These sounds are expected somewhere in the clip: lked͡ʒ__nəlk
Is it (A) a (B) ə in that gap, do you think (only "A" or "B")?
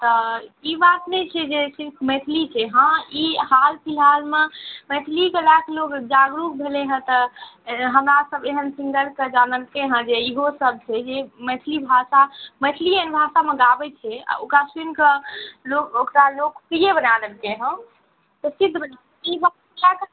A